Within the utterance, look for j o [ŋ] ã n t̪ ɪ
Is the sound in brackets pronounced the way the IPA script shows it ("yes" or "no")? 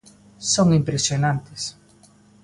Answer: no